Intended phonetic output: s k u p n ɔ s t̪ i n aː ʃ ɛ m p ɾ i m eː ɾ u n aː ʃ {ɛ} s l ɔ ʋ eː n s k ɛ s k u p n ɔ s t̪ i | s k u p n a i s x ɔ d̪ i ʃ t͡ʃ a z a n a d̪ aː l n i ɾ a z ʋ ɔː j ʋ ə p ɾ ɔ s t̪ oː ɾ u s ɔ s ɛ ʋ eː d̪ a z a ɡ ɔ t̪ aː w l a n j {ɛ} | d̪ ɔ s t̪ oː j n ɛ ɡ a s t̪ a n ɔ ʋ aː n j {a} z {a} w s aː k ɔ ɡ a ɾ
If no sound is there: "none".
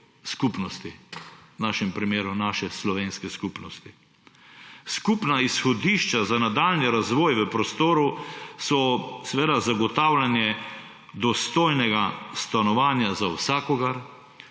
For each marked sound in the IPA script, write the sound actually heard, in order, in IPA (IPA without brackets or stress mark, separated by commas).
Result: ɛ, ɛ, a, a